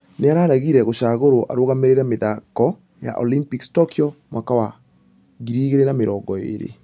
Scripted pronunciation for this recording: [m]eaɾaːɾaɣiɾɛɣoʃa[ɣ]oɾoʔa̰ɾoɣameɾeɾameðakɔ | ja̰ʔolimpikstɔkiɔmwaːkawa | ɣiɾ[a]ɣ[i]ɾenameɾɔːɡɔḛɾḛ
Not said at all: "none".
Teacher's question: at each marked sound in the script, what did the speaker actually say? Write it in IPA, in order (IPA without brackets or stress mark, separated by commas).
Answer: n, ɣ, i, e